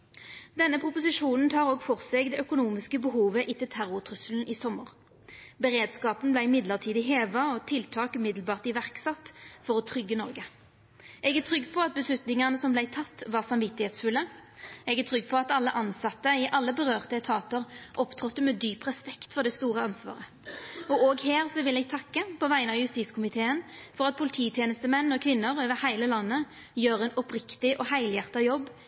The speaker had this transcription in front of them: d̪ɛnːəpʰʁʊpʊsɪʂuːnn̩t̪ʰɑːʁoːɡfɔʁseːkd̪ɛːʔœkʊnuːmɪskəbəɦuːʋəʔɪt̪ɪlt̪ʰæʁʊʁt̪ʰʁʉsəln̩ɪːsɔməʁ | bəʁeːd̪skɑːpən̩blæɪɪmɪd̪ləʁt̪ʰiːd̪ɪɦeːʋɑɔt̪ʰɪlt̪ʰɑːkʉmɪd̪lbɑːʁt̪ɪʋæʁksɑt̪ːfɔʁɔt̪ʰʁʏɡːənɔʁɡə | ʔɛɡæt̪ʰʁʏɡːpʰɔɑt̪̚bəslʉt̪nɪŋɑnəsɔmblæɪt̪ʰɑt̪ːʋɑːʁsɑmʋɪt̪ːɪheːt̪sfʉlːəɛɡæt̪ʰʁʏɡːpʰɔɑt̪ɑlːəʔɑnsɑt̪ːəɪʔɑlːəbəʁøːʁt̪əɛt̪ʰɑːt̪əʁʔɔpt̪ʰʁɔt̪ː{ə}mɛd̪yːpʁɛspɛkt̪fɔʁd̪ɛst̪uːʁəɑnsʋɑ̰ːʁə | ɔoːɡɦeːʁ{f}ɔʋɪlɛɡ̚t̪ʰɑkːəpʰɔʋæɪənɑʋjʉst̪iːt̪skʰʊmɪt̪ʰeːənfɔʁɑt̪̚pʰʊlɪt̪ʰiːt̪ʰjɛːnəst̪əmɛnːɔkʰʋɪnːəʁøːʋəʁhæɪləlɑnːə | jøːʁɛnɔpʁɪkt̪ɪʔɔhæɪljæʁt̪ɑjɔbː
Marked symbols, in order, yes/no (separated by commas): yes, no